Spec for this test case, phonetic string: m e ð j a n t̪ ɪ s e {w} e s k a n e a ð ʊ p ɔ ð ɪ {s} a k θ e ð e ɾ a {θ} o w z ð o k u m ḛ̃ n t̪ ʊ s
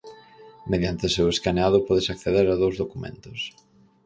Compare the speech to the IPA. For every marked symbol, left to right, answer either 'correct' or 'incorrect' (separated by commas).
correct, correct, incorrect